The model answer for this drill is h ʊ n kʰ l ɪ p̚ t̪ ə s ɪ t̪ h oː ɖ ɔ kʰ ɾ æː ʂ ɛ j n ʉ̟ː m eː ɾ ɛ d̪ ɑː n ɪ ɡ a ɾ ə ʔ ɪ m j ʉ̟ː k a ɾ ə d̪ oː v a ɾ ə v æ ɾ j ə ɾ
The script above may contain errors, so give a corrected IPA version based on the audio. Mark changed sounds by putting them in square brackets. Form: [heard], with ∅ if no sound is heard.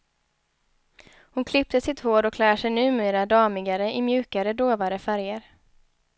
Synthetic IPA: h ʊ n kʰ l ɪ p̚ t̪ ə s ɪ t̪ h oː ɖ ɔ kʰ [l] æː ʂ ɛ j n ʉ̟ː m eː ɾ [a] d̪ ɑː [m] ɪ ɡ a ɾ ə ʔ ɪ m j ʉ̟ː k a ɾ ə d̪ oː v a ɾ ə [f] æ ɾ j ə ɾ